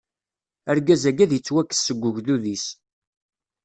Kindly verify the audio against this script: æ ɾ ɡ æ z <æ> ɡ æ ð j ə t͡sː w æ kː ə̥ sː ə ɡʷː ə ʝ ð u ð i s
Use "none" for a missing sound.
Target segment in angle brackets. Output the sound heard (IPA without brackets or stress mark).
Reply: æ